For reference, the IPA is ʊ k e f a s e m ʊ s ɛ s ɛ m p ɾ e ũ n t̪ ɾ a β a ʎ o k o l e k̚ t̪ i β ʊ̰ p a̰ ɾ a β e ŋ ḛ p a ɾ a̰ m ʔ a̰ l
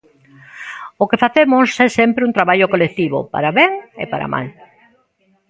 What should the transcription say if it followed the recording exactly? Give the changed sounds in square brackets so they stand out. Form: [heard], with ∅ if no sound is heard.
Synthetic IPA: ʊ k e f a [θ] e m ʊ s ɛ s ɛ m p ɾ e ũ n t̪ ɾ a β a ʎ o k o l e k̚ t̪ i β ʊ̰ p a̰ ɾ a β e ŋ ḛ p a ɾ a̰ m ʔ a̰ l